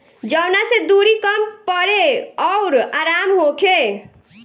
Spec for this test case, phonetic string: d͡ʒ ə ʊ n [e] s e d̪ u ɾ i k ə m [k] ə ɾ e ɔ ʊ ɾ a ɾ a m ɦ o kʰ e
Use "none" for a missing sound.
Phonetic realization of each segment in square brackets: a, p

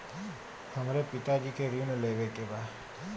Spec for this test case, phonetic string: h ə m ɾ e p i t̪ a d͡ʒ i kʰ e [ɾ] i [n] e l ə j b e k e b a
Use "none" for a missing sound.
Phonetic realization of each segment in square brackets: ɾ, n

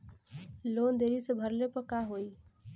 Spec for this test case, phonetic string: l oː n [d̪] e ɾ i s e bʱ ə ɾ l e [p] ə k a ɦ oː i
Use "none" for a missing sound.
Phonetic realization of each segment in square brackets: d̪, p

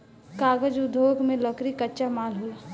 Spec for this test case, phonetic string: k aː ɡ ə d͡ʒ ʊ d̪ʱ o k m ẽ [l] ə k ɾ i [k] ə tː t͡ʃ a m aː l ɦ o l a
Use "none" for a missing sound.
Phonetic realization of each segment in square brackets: l, k

